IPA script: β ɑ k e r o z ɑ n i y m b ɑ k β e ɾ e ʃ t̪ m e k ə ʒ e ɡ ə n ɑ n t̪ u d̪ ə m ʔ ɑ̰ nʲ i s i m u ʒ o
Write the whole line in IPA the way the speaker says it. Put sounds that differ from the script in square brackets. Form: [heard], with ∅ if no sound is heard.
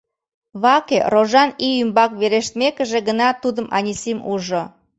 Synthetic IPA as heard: β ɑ k e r o [ʒ] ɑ n i y m b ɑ k β e ɾ e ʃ t̪ m e k ə ʒ e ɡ ə n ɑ [∅] t̪ u d̪ ə m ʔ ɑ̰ nʲ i s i m u ʒ o